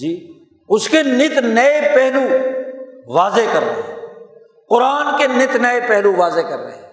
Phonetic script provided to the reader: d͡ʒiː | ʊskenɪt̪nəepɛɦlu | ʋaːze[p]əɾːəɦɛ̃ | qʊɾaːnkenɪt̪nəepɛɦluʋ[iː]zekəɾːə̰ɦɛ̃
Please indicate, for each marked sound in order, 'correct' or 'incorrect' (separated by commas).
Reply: incorrect, incorrect